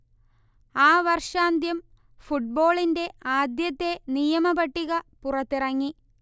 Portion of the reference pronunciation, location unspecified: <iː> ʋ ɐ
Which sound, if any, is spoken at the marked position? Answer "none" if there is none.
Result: aː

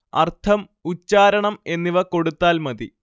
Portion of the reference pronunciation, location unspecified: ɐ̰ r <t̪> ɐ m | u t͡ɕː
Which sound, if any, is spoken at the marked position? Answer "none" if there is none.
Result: t̪ʰ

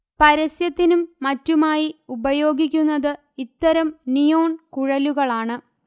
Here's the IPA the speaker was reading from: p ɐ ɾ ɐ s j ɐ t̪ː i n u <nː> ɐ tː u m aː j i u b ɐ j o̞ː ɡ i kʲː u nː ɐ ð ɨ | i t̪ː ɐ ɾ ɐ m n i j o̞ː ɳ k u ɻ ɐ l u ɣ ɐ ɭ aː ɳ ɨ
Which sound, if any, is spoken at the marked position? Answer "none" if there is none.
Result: mː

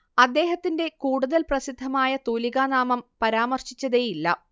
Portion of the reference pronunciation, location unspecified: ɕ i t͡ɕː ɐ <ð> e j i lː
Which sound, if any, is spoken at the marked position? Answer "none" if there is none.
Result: ð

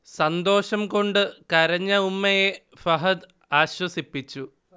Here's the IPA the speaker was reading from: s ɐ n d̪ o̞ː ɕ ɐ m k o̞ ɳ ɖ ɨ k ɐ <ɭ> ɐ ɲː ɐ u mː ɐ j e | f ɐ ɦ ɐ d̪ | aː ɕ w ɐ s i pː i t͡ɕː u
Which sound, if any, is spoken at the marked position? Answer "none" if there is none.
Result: ɾ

